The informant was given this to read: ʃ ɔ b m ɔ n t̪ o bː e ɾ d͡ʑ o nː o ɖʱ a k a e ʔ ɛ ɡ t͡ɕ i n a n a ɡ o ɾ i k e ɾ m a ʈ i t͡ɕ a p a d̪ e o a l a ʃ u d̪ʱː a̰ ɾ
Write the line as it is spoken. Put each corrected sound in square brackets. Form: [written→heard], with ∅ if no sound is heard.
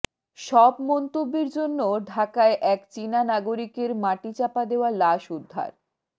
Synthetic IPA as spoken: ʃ ɔ b m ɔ n t̪ o bː e ɾ d͡ʑ o nː o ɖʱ a k a e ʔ ɛ [ɡ→k] t͡ɕ i n a n a ɡ o ɾ i k e ɾ m a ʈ i t͡ɕ a p a d̪ e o a l a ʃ u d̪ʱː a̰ ɾ